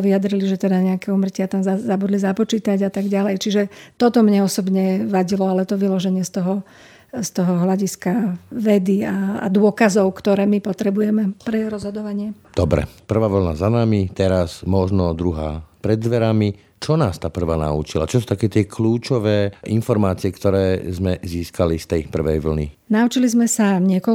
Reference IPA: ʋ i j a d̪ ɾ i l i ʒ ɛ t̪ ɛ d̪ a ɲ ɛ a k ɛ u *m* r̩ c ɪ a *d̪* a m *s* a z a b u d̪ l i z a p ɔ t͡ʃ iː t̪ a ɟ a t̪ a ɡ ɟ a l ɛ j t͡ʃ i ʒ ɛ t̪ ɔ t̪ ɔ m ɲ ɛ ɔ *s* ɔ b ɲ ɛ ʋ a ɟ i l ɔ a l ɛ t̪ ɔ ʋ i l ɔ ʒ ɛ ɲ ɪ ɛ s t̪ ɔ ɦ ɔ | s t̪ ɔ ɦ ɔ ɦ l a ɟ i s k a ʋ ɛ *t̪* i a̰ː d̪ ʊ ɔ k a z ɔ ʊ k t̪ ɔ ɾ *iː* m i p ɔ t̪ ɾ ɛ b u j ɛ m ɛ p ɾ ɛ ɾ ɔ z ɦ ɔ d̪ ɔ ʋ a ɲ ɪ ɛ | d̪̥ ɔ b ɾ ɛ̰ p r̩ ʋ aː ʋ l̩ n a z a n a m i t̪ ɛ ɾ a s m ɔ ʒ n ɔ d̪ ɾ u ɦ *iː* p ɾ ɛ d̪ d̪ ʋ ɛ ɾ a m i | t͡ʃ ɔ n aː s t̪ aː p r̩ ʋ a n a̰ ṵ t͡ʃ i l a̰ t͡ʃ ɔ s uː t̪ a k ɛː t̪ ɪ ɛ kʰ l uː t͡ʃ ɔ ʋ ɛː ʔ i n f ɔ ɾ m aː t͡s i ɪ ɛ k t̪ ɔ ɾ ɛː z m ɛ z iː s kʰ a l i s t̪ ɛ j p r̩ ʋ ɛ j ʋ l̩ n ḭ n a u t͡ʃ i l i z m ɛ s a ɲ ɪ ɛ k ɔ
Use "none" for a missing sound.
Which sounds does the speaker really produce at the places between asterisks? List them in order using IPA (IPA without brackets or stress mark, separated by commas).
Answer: m, t̪, z, s, d̪, ɛː, aː